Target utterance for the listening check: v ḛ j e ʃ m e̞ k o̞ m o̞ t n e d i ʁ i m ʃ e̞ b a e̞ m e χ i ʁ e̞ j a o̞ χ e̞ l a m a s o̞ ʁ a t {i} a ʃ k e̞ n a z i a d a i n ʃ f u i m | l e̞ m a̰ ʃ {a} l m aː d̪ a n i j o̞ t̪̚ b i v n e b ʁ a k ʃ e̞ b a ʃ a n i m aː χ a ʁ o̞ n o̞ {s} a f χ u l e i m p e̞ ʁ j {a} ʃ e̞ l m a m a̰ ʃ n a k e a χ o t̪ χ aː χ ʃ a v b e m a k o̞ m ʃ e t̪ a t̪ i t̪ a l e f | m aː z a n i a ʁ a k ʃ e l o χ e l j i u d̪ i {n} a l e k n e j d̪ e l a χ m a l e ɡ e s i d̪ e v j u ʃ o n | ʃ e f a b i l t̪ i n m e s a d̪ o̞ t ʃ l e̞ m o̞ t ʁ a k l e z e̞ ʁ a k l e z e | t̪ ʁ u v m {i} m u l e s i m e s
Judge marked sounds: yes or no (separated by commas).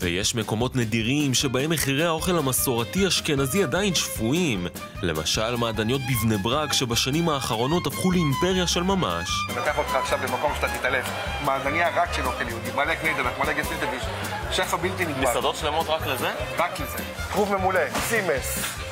yes, yes, no, yes, no, no